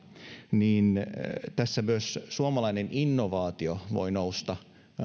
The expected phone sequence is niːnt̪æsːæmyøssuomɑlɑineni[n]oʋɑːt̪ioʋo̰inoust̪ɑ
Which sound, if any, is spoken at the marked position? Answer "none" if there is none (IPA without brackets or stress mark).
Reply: nː